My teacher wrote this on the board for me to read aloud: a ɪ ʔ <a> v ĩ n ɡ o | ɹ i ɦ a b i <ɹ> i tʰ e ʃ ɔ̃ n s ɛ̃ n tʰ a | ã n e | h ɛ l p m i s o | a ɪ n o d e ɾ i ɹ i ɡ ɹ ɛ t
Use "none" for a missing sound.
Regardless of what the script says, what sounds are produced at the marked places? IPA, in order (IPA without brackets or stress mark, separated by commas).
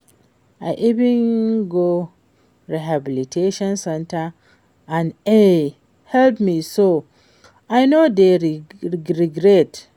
i, l